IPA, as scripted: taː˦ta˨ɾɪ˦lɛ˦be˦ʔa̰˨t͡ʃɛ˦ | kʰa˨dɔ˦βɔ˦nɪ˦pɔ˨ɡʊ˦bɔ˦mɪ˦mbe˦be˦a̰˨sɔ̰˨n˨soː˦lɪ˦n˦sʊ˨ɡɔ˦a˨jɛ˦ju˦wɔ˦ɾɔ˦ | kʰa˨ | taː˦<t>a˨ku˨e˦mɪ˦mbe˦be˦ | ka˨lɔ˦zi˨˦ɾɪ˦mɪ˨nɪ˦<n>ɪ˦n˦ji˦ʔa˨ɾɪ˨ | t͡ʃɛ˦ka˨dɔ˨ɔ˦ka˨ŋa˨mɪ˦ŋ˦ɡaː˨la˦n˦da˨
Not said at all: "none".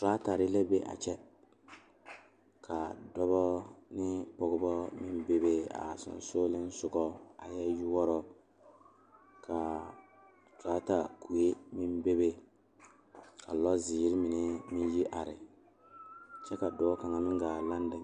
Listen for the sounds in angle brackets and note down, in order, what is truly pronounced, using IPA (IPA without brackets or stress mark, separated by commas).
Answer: t, m